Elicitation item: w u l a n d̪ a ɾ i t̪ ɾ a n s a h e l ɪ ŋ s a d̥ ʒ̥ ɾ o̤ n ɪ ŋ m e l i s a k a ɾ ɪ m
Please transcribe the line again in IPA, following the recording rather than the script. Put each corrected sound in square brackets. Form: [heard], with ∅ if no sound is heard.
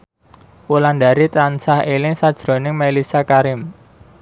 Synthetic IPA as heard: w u l a n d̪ a ɾ i t̪ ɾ a n s a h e l ɪ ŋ s a d̥ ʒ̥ ɾ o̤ n ɪ ŋ m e l i s a k a ɾ ɪ m